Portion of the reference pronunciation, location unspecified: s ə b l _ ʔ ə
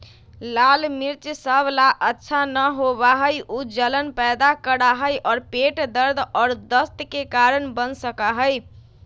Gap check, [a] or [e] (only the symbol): a